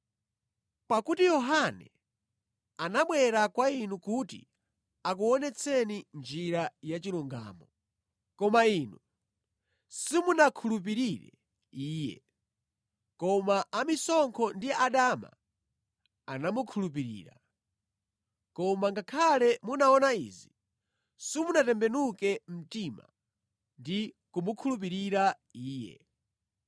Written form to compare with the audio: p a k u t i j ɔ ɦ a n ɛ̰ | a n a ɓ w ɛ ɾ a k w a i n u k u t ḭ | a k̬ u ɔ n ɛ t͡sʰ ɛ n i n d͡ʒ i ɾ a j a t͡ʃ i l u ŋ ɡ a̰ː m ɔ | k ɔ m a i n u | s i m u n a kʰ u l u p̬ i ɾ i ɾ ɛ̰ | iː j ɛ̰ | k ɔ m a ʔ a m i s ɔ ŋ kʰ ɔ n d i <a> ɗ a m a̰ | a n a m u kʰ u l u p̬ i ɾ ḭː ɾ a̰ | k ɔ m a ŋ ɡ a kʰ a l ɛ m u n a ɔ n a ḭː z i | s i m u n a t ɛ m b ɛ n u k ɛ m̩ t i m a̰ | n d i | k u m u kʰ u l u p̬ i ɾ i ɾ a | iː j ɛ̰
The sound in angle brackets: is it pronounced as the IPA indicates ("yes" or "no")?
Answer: yes